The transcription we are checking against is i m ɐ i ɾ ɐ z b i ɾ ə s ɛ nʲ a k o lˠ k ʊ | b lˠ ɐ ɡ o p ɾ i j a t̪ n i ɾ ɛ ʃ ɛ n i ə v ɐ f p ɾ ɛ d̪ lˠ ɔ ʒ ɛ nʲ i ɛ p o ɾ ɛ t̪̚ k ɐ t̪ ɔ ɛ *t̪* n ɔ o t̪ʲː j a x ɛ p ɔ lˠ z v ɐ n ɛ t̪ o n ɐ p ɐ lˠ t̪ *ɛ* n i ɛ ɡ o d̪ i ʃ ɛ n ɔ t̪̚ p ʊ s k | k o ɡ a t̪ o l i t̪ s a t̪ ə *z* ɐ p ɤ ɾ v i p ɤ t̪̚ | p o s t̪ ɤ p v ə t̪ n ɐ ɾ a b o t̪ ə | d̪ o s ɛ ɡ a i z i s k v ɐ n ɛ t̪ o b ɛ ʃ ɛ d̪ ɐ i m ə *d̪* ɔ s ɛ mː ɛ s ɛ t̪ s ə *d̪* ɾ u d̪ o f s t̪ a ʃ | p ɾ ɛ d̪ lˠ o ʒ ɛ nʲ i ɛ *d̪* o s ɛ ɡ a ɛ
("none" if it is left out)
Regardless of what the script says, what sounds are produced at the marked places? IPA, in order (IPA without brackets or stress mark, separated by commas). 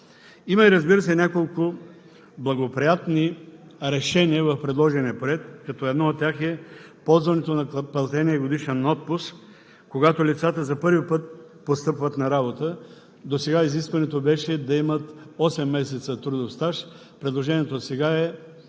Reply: d̪, ɛ, z, t̪, t̪, t̪